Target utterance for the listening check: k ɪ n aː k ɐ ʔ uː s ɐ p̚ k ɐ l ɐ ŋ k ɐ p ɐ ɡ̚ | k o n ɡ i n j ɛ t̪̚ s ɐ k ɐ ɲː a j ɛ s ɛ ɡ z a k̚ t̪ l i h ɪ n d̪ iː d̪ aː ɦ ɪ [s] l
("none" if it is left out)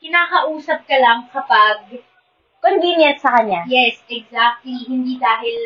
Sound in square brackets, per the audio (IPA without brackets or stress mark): none